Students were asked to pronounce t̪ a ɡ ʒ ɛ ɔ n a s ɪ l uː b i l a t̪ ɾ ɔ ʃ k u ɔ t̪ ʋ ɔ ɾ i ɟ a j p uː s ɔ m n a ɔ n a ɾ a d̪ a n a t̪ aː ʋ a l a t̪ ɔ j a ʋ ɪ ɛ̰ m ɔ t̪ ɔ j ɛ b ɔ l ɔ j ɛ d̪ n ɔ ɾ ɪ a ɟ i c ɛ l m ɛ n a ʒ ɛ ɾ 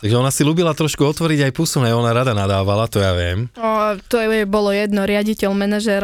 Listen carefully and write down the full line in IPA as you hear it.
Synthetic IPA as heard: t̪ a ɡ ʒ ɛ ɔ n a s i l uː b i l a t̪ ɾ ɔ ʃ k u ɔ t̪ ʋ ɔ ɾ i ɟ a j p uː s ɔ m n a ɔ n a ɾ a d̪ a n a d̪ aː ʋ a l a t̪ ɔ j a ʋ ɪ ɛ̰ m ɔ t̪ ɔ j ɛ b ɔ l ɔ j ɛ d̪ n ɔ ɾ ɪ a ɟ i c ɛ l m ɛ n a ʒ ɛ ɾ